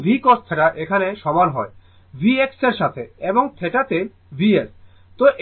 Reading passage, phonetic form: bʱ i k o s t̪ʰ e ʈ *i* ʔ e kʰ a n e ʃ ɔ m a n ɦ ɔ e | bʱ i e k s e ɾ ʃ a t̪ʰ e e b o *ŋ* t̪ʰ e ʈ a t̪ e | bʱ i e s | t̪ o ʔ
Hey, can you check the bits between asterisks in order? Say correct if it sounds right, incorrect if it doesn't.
incorrect: a, correct

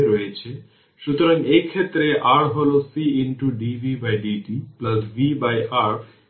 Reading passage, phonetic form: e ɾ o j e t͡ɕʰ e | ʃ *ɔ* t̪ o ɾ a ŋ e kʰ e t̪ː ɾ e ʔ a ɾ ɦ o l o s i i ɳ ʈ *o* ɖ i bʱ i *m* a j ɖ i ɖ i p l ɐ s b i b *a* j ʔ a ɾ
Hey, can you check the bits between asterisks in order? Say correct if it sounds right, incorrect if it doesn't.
incorrect: u, incorrect: u, incorrect: b, correct

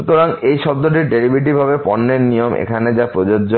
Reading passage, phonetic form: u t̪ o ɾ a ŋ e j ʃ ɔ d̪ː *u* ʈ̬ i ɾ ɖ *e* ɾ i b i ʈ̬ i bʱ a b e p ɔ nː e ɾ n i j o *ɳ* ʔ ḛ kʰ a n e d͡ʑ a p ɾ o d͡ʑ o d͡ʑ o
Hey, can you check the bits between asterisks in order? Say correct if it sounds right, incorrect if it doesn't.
incorrect: o, correct, incorrect: m

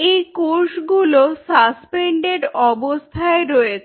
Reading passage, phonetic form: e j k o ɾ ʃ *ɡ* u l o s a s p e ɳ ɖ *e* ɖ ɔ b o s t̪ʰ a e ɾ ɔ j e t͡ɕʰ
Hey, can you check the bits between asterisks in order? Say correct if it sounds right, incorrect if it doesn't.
correct, correct

